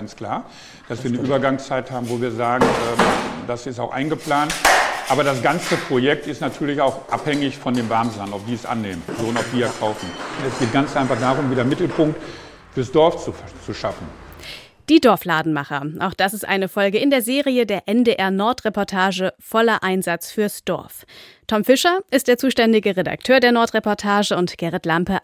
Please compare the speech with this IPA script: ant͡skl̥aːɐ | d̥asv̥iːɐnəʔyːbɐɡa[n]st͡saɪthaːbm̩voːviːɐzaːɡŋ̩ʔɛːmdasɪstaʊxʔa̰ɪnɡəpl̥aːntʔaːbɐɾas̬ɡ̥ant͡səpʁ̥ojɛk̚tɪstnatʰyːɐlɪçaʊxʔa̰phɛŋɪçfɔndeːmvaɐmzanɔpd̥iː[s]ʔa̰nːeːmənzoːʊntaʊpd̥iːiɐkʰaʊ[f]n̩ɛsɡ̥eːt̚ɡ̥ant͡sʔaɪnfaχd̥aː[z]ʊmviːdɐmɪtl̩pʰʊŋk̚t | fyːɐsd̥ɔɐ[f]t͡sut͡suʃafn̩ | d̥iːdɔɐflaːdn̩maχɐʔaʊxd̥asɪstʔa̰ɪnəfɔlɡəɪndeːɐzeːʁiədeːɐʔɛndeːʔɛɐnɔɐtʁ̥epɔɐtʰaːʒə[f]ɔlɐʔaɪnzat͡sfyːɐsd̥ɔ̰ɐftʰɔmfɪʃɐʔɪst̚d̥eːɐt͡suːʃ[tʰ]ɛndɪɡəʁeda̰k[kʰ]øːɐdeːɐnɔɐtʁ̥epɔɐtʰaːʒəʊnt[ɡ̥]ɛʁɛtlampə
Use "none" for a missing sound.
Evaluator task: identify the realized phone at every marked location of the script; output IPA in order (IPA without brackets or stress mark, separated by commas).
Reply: ŋ, s, f, ʁ, f, f, t, tʰ, ɡ̥